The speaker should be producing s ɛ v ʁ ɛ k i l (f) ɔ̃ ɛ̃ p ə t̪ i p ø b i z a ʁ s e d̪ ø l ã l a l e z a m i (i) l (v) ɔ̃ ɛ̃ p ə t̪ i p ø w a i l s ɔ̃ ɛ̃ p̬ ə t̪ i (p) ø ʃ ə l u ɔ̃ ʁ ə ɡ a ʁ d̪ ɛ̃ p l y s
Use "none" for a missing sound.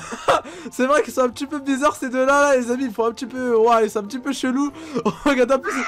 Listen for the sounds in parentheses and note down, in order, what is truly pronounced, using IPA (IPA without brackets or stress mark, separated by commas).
s, i, f, p